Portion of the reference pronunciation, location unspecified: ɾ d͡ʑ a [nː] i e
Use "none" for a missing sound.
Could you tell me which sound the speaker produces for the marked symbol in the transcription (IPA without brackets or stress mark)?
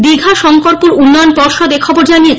n